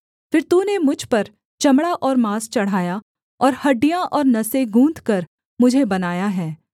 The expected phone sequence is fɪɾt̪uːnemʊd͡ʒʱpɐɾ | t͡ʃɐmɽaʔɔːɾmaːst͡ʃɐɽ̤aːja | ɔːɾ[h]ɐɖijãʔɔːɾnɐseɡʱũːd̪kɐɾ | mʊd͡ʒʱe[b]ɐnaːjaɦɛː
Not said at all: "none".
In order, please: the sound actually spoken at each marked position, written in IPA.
h, b

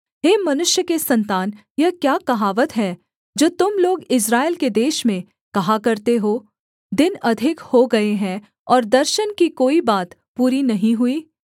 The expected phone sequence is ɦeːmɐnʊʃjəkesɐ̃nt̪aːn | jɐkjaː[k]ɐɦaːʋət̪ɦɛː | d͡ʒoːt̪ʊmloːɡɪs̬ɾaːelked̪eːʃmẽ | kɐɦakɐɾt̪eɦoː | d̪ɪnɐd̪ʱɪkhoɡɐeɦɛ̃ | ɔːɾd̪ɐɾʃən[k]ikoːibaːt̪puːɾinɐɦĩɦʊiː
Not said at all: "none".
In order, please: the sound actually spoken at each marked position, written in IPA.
k, k

